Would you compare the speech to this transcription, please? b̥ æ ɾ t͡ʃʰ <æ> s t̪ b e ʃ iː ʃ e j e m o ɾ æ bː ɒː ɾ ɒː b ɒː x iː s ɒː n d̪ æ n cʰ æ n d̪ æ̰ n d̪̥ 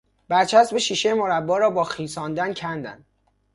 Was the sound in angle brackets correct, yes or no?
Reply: yes